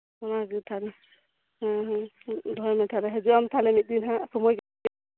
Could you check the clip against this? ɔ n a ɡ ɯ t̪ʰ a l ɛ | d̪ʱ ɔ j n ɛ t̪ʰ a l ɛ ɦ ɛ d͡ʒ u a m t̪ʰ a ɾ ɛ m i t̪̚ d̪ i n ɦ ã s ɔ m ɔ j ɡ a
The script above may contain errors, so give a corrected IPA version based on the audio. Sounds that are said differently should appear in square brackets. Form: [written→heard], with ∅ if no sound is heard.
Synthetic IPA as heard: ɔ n a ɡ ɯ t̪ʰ a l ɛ | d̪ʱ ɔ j [n→m] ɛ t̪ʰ a l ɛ ɦ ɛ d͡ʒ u a m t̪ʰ a [ɾ→l] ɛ m i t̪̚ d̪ i n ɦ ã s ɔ m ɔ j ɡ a